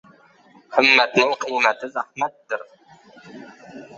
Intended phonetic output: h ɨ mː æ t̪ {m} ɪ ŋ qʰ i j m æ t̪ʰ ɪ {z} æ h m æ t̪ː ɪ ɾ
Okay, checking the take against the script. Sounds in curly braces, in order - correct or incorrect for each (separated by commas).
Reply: incorrect, correct